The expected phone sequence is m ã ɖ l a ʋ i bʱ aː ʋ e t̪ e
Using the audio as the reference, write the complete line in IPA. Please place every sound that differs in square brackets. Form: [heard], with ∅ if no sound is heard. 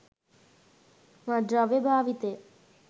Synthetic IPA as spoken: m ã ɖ [ɾ] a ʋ [e] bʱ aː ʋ [i] t̪ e